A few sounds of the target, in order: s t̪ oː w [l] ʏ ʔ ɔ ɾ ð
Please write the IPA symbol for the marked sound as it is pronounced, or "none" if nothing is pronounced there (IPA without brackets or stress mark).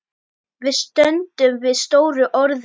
ɾ